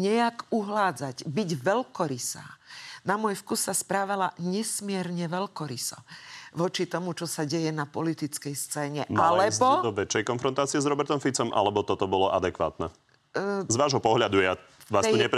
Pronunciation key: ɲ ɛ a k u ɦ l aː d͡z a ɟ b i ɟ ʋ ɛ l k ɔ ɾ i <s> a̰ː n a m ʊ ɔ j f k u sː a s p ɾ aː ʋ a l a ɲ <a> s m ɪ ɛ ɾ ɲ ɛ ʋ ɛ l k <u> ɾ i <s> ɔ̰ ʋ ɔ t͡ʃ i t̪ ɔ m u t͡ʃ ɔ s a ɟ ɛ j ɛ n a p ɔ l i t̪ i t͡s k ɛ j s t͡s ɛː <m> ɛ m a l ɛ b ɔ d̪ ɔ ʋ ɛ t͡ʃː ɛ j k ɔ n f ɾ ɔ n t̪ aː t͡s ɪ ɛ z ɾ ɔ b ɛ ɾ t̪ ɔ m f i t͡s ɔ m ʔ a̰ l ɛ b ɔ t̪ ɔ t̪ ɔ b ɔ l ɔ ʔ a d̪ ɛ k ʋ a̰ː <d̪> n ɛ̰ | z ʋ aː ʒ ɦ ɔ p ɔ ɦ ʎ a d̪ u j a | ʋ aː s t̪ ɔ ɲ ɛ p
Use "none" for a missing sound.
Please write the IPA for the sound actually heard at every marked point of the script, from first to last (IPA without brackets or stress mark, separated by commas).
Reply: s, ɛ, ɔ, s, ɲ, t̪